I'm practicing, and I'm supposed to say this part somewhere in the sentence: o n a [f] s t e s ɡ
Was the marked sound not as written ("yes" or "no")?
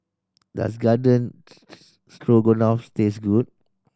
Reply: no